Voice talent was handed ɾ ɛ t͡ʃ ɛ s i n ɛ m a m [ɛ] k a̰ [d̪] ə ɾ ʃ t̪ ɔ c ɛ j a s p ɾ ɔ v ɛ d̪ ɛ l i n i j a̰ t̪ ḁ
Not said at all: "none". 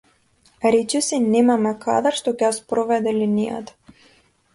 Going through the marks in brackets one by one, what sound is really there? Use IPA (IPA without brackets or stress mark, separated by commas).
ɛ, d̪